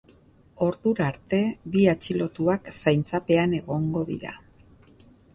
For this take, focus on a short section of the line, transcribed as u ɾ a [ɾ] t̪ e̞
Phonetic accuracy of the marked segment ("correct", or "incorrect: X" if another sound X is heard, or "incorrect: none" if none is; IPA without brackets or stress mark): correct